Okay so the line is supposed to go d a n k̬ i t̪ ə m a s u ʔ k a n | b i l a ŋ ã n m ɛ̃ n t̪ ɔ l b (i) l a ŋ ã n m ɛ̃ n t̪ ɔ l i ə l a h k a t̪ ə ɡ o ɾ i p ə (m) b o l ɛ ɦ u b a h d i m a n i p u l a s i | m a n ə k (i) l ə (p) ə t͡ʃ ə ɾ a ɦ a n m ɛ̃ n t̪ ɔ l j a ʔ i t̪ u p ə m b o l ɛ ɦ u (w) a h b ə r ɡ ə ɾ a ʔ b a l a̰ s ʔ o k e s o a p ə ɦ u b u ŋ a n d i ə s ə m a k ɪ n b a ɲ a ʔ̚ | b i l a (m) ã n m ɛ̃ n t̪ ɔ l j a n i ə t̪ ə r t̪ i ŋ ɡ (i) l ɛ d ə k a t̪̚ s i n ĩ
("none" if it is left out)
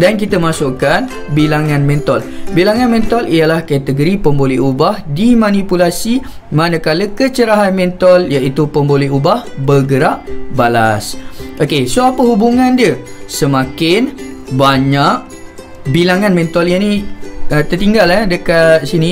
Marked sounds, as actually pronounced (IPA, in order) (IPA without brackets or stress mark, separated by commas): i, m, a, k, b, ŋ, a